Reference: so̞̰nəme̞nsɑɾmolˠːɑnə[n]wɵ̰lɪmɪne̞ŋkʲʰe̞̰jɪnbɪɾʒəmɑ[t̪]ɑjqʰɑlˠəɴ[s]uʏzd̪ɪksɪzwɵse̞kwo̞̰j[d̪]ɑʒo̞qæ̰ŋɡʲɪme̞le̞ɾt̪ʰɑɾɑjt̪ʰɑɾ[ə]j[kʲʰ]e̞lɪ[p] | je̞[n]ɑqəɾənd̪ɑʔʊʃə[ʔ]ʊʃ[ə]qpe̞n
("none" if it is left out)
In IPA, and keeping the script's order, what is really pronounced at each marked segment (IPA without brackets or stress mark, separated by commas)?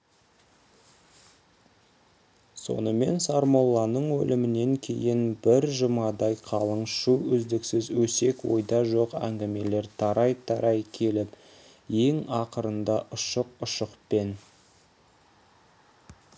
ɴ, d̪, ʃ, d̪, ɑ, kʲʰ, p, ŋ, q, ə